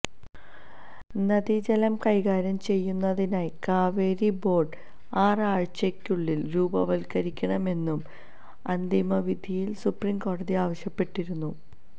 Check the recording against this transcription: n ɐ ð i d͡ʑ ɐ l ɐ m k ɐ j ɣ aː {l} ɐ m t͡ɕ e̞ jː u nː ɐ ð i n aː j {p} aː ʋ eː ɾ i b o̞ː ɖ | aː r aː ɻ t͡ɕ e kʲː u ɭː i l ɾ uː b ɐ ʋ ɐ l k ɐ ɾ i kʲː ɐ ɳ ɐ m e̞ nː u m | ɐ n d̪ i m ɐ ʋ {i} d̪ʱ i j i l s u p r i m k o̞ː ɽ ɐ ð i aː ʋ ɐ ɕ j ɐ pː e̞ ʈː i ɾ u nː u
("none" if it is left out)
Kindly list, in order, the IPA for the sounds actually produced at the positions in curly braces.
ɾ, k, i

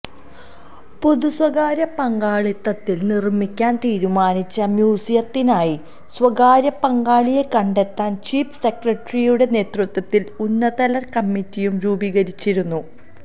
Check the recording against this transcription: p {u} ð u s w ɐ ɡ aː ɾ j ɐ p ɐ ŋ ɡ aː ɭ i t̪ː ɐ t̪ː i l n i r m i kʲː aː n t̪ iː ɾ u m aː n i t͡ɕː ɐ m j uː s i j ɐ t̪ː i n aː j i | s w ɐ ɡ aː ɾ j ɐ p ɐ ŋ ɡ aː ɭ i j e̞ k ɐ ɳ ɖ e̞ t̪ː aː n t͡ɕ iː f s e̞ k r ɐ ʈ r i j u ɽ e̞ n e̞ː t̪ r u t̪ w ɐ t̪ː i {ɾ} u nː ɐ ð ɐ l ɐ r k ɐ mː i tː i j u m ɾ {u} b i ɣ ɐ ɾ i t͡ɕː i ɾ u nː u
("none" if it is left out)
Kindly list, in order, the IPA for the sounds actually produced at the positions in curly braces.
u, l, uː

